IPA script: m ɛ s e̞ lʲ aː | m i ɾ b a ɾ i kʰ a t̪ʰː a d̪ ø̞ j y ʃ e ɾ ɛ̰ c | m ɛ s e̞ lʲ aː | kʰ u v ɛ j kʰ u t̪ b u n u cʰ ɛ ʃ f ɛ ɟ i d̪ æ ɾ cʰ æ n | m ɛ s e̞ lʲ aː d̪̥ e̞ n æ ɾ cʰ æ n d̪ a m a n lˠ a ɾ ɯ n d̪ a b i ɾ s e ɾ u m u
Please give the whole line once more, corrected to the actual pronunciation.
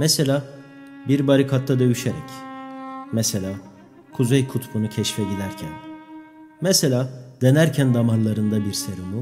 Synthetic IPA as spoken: m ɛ s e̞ lʲ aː | b i ɾ b a ɾ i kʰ a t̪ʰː a d̪ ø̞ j y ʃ e ɾ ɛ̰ c | m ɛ s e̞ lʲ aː | kʰ u z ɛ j kʰ u t̪ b u n u cʰ ɛ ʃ f ɛ ɟ i d̪ æ ɾ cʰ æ n | m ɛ s e̞ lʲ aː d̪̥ e̞ n æ ɾ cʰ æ n d̪ a m a n lˠ a ɾ ɯ n d̪ a b i ɾ s e ɾ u m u